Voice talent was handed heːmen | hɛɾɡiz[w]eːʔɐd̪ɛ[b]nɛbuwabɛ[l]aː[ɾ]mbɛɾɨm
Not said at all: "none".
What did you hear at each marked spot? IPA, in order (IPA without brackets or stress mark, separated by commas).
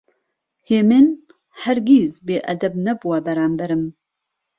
b, b, ɾ, none